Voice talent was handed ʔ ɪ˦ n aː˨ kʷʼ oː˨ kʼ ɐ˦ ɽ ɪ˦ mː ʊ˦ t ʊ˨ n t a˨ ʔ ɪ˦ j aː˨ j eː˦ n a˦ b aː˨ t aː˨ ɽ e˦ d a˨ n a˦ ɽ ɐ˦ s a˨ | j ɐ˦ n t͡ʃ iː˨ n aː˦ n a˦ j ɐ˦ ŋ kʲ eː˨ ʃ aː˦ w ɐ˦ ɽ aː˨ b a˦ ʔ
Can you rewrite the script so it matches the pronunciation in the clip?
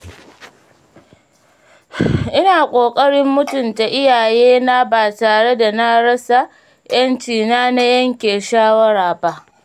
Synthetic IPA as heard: ʔ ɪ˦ n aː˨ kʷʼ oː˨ kʼ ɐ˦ ɽ ɪ˦ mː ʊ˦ t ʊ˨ n t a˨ ʔ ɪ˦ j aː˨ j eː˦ n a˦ b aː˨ t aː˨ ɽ e˦ d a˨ n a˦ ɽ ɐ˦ s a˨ | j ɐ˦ n t͡ʃ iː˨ n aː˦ n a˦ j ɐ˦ ŋ kʲ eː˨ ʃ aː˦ w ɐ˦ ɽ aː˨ b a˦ ʔ